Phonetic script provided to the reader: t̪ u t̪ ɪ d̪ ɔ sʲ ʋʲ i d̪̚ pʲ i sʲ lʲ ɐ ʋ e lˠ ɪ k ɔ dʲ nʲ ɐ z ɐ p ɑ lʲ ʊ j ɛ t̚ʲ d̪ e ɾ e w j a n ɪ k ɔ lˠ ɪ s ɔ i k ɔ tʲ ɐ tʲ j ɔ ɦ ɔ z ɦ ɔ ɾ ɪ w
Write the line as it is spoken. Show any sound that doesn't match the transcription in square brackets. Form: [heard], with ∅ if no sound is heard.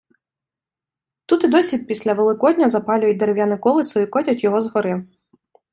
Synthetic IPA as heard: t̪ u t̪ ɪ d̪ ɔ sʲ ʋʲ i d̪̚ pʲ i sʲ lʲ ɐ ʋ e lˠ ɪ k ɔ dʲ nʲ ɐ z ɐ p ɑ lʲ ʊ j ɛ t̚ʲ d̪ e ɾ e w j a n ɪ k ɔ lˠ ɪ s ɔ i k ɔ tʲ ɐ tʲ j ɔ ɦ ɔ z ɦ ɔ ɾ ɪ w